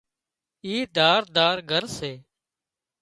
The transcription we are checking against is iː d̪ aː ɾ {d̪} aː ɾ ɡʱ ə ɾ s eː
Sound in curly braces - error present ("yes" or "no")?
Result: no